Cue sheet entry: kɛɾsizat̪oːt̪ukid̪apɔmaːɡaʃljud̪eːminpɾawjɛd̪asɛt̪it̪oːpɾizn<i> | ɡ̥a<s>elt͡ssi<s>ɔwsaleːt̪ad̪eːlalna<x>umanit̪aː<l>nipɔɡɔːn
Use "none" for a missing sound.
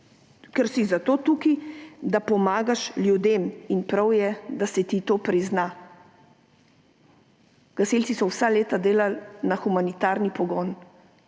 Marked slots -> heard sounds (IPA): a, s, s, x, ɾ

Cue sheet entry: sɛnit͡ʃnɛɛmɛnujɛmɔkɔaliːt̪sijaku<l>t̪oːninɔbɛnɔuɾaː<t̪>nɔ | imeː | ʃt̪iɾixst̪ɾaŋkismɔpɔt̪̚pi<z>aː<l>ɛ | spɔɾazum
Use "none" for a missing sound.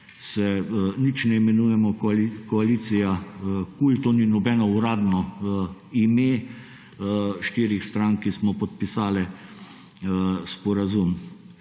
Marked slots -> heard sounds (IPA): l, d̪, s, l

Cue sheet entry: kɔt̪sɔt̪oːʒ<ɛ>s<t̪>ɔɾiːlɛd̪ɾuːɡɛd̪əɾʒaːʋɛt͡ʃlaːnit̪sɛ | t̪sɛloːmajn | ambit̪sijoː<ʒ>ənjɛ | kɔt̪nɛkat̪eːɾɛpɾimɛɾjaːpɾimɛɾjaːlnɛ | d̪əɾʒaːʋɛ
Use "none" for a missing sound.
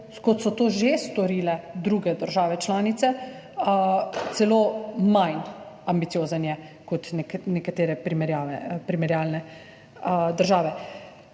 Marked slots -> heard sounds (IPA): e, t̪, z

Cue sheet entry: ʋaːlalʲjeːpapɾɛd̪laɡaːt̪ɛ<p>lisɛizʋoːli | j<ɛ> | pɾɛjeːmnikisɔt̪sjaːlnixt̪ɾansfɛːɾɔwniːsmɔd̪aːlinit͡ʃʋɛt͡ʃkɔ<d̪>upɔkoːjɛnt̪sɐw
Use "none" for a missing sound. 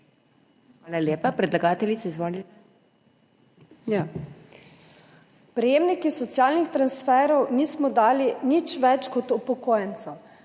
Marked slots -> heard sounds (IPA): none, a, t̪

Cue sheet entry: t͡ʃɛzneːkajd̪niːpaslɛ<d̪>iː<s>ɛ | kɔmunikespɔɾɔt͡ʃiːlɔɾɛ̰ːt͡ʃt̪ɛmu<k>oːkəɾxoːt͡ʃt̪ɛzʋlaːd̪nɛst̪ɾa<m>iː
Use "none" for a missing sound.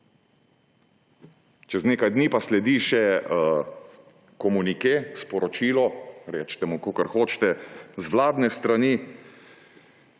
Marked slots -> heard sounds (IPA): d̪, ʃ, k, n

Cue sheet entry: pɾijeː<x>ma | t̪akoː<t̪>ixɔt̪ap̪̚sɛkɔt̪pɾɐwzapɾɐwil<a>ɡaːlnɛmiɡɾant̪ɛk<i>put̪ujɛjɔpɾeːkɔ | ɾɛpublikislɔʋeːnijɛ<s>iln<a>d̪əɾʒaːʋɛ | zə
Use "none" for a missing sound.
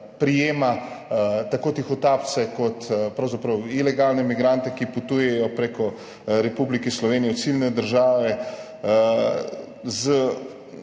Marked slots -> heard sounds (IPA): none, t̪, ɛ, i, s, ɛ

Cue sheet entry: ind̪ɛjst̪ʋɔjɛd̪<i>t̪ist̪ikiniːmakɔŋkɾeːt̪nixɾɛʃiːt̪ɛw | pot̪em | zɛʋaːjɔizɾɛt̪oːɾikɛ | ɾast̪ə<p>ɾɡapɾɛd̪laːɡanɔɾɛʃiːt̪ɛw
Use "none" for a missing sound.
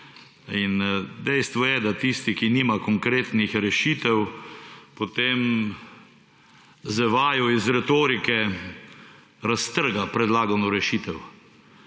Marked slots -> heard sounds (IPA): a, none

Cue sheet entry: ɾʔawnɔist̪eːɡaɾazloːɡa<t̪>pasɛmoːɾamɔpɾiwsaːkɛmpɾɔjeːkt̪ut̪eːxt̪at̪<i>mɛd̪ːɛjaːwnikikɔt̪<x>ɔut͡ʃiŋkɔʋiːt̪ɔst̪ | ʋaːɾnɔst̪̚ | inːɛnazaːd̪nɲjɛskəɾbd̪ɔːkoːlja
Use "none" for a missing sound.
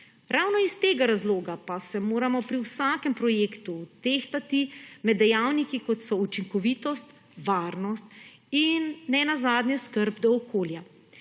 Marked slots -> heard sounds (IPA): none, i, s

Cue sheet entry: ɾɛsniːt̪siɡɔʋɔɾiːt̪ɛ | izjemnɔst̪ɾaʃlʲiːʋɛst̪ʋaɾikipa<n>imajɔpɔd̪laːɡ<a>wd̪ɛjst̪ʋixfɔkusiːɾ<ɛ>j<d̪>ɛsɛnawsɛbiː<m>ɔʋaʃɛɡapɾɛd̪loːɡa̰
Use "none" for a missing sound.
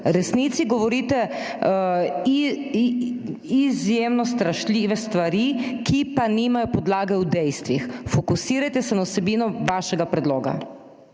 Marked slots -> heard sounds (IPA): n, ɛ, a, t̪, n

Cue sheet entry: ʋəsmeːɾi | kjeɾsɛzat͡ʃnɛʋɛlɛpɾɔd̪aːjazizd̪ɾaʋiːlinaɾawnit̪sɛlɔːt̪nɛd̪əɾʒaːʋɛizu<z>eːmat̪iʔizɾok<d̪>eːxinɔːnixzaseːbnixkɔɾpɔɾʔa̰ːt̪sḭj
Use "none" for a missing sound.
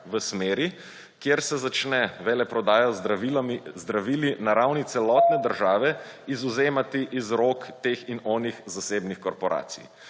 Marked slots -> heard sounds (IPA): z, t̪

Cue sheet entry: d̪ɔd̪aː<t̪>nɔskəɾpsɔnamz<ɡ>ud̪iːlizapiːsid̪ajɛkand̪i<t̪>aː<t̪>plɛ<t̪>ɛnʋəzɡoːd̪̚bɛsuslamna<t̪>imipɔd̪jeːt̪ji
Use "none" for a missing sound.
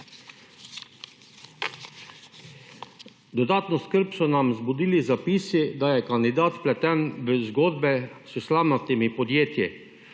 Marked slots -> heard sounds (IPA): t̪, b, d̪, t̪, t̪, t̪

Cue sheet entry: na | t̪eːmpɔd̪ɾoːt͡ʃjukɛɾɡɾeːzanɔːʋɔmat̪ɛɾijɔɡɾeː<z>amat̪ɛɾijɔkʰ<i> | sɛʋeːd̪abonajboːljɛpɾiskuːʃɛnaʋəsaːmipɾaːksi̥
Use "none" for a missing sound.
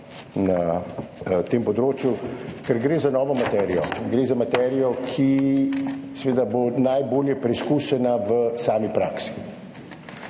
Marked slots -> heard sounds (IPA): z, i

